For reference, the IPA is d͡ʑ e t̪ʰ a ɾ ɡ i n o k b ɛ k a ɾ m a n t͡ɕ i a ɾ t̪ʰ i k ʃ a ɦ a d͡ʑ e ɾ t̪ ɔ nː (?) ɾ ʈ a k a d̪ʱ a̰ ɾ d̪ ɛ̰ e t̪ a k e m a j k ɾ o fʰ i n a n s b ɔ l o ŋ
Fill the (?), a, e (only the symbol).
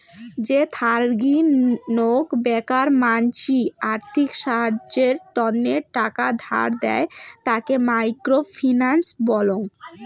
e